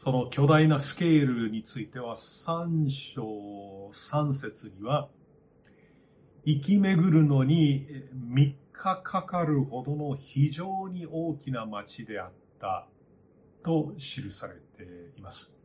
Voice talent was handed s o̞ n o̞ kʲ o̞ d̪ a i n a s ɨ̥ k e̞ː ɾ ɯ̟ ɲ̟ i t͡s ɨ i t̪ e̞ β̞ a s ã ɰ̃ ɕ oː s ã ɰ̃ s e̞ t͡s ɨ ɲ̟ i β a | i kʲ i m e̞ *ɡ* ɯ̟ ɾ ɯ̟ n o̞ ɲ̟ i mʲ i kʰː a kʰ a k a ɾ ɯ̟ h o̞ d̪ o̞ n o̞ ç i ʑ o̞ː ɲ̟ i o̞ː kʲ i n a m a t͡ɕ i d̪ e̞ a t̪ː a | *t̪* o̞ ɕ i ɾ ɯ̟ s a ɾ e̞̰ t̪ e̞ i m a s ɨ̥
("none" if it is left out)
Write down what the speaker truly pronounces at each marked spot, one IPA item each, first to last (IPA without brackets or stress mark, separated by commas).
ɡ, t̪